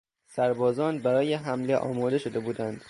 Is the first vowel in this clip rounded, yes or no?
no